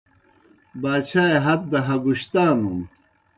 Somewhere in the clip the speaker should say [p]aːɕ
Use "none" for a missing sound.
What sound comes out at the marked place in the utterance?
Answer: b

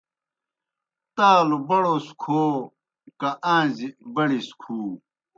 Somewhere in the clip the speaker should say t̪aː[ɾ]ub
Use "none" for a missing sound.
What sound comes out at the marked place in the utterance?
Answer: l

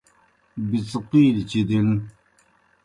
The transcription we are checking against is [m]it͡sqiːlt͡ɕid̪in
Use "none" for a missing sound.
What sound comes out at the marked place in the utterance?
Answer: b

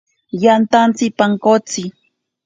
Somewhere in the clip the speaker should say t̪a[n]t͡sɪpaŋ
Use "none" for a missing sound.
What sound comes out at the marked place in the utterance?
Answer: n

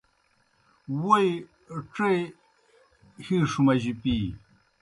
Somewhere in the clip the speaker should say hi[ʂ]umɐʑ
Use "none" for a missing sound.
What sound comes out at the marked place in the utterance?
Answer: ʂ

